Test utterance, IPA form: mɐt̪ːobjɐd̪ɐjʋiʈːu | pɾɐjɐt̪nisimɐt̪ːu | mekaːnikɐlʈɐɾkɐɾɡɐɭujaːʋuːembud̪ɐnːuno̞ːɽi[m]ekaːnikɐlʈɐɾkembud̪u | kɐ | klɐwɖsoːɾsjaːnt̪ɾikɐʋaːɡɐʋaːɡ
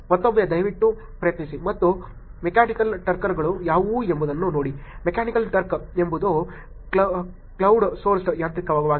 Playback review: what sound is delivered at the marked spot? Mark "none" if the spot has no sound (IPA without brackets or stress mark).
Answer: m